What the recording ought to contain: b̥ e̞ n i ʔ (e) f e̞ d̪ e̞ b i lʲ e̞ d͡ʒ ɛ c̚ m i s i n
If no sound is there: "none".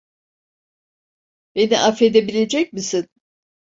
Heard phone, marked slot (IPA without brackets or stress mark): a